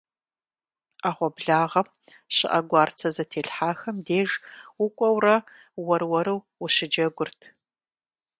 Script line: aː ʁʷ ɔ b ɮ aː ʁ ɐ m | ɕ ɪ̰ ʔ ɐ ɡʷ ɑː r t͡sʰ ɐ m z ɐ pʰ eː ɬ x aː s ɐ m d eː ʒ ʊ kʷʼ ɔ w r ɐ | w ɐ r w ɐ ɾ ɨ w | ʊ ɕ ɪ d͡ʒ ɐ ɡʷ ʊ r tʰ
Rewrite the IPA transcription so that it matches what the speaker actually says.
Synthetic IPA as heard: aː ʁʷ ɔ b ɮ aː ʁ ɐ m | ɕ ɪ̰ ʔ ɐ ɡʷ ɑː r t͡sʰ ɐ z ɐ tʰ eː ɬ ħ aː x ɐ m d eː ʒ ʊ kʷʼ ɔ w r ɐ | w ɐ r w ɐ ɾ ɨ w | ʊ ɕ ɪ d͡ʒ ɐ ɡʷ ʊ r tʰ